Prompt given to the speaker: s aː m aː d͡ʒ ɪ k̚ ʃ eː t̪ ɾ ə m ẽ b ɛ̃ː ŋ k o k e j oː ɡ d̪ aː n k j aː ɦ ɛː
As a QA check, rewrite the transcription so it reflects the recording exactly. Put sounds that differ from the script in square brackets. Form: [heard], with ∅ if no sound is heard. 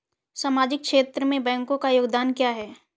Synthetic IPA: s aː m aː d͡ʒ ɪ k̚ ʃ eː t̪ ɾ ə m ẽ b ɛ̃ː ŋ k [õ] k [a] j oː ɡ d̪ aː n k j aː ɦ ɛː